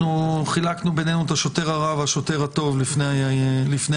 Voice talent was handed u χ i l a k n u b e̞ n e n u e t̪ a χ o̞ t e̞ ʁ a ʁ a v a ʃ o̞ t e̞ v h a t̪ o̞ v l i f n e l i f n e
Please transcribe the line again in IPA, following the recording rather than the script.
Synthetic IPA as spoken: u χ i l a k n u b e̞ n e n u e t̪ a ʃ o̞ t e̞ ʁ a ʁ a v a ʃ o̞ t e̞ ʁ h a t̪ o̞ v l i f n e l i f n e